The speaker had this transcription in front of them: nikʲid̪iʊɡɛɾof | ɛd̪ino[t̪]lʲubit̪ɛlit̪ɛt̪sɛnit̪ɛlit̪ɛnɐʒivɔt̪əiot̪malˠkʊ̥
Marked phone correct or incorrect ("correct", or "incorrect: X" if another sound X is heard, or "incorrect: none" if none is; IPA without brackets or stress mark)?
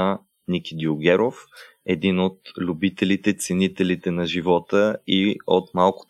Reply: correct